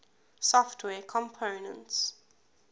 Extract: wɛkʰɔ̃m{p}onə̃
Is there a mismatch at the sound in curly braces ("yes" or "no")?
yes